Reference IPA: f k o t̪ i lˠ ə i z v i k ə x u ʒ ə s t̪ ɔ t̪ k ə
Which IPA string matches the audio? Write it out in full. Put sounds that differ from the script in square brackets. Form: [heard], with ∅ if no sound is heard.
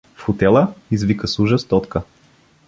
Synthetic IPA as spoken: f [x] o t̪ [ɛ] lˠ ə i z v i k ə [s] u ʒ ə s t̪ ɔ t̪ k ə

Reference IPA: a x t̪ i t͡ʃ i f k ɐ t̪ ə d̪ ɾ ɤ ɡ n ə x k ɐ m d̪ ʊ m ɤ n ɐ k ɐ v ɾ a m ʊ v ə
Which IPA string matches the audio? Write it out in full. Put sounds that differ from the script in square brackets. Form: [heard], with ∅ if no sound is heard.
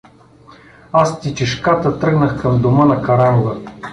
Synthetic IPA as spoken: a [s] t̪ i t͡ʃ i [ʃ] k [a] t̪ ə [t̪] ɾ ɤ ɡ n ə x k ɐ m d̪ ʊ m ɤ n ɐ k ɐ [∅] ɾ a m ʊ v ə

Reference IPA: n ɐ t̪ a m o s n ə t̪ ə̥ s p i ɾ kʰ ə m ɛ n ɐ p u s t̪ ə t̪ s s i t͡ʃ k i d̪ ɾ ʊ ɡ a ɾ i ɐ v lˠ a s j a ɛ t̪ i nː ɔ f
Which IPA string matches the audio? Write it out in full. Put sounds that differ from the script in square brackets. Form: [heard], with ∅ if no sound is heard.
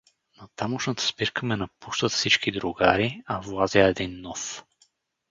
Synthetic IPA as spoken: n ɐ t̪ a m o [ʃ] n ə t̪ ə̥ s p i ɾ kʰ ə m ɛ n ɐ p u [ʃ] t̪ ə t̪ [f] s i t͡ʃ k i d̪ ɾ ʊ ɡ a ɾ i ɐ v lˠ a [z] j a ɛ [d̪] i nː ɔ f

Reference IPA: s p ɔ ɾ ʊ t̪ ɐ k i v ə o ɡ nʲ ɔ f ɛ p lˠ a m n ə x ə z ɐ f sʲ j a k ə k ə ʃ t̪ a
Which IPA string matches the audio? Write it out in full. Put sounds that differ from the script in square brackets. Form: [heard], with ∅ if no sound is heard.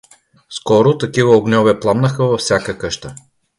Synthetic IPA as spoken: s [k] ɔ ɾ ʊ t̪ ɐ k i v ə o ɡ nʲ ɔ [v] ɛ p lˠ a m n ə x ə [v] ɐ f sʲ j a k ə k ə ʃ t̪ [ə]

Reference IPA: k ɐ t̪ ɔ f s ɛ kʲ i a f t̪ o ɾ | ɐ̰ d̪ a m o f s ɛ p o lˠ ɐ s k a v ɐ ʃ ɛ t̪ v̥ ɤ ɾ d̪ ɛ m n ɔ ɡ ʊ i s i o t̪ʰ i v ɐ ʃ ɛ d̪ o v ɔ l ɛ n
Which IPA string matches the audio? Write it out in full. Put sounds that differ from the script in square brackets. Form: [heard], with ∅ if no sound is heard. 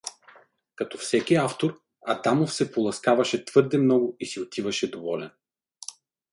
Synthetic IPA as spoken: k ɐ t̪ ɔ f s ɛ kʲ i a f t̪ o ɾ | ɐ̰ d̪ a m o f s ɛ p o lˠ ɐ s k a v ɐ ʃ ɛ t̪ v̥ ɤ ɾ d̪ ɛ m n ɔ ɡ ʊ i s i o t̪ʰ i v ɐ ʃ ɛ d̪ o v ɔ l ɛ n

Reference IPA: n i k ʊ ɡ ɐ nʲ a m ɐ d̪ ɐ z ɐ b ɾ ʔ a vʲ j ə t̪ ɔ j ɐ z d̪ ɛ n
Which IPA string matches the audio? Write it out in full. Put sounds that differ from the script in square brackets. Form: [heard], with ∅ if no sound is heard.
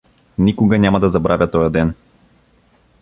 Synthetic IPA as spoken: n i k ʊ ɡ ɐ nʲ a m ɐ d̪ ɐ z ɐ b ɾ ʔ a vʲ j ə t̪ ɔ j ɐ [∅] d̪ ɛ n

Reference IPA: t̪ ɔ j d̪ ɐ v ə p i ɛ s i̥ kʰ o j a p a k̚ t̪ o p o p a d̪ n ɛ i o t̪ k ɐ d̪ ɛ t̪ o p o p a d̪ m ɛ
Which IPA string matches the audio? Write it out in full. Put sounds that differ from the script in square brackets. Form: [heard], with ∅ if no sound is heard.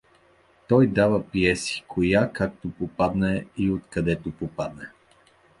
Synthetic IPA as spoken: t̪ ɔ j d̪ [a] v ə p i ɛ s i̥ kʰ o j a [k] a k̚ t̪ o p o p a d̪ n ɛ i o t̪ k ɐ d̪ ɛ t̪ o p o p a d̪ [n] ɛ

